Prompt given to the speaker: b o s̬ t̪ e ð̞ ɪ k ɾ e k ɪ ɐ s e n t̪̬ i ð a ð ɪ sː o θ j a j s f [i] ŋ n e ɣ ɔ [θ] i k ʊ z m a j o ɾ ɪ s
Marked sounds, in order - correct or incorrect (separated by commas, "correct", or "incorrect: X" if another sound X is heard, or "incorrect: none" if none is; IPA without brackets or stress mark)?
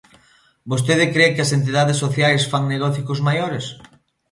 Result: incorrect: a, correct